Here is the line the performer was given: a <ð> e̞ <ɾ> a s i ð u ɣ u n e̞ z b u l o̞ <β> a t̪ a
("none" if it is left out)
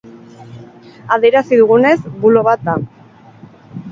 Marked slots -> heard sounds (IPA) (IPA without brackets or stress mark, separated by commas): ð, ɾ, β